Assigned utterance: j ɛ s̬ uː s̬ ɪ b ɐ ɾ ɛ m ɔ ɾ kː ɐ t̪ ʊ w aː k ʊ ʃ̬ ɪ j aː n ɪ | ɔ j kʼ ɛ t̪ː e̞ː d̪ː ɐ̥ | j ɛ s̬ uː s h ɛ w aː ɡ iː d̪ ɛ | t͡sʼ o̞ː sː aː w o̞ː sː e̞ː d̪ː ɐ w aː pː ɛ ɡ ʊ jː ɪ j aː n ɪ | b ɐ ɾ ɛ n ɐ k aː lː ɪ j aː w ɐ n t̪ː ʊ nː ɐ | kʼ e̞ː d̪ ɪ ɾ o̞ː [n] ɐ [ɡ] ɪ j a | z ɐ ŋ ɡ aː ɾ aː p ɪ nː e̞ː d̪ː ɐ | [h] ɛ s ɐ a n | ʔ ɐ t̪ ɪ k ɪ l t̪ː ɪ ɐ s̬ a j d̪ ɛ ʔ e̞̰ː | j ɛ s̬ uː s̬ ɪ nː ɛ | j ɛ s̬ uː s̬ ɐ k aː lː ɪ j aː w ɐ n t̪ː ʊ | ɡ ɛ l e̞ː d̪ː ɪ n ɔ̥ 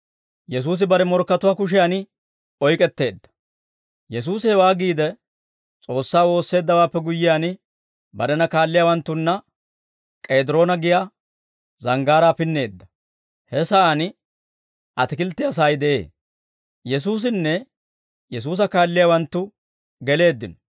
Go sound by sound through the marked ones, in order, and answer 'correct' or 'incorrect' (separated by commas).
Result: correct, correct, correct